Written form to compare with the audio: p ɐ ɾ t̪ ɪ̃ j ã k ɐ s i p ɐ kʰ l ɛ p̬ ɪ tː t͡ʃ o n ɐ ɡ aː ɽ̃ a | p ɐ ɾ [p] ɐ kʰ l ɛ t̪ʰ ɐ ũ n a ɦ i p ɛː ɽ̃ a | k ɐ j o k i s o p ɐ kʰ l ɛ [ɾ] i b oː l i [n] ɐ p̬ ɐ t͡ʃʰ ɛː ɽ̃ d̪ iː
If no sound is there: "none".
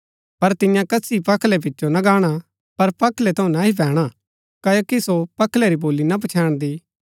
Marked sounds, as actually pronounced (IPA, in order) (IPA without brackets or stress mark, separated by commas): p, ɾ, n